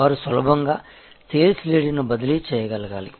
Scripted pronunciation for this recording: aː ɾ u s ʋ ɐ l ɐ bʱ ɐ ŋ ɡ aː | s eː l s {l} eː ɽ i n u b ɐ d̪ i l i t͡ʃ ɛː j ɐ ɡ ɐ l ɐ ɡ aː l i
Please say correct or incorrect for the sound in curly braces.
correct